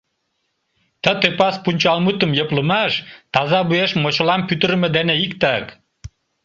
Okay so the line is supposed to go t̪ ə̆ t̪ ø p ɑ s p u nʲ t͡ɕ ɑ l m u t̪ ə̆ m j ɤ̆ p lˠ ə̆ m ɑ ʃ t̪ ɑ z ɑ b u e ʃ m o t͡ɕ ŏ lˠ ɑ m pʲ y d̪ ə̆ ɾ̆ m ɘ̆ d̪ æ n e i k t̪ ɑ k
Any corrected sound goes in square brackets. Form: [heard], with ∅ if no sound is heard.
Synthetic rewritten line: t̪ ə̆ t̪ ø p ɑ s p u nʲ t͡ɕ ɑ l m u t̪ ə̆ m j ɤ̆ p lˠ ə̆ m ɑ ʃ t̪ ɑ z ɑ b u e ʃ m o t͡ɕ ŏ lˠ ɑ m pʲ y [t̪] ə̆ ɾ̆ m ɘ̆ d̪ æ n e i k t̪ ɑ k